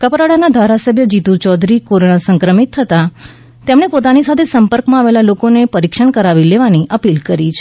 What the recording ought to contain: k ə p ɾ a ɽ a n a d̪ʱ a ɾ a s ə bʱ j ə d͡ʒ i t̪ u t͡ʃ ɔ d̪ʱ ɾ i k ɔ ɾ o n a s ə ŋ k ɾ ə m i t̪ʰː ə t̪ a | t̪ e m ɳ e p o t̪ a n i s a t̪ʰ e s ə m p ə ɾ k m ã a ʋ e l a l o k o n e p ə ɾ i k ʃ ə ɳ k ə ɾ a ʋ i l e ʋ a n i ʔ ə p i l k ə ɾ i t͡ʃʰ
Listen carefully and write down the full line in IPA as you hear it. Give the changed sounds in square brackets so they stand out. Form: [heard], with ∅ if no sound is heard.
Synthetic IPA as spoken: k ə p ɾ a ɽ a n a d̪ʱ a ɾ a s ə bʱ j ə d͡ʒ i t̪ u t͡ʃ ɔ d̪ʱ ɾ i k [o] ɾ o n a s ə ŋ k ɾ ə m i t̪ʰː ə t̪ a | t̪ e m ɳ e p o t̪ a n i s a t̪ʰ e s ə m p ə ɾ k m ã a ʋ e l a l o k o n e p ə ɾ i k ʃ ə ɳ k ə ɾ a ʋ i l e ʋ a n i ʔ ə p i l k ə ɾ i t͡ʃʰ